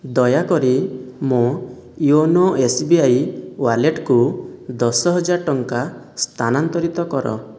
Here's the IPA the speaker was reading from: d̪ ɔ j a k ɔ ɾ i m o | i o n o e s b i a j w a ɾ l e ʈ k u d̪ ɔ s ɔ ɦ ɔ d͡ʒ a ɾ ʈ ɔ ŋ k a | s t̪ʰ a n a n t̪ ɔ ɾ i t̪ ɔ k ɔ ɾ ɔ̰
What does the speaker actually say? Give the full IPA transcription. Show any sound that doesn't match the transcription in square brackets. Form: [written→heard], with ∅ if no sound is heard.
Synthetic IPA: d̪ ɔ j a k ɔ ɾ i m o | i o n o e s b i a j w a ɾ l e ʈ k u d̪ ɔ s ɔ ɦ ɔ d͡ʒ a ɾ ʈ ɔ ŋ k a | s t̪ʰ a n a n t̪ ɔ ɾ i t̪ ɔ k ɔ ɾ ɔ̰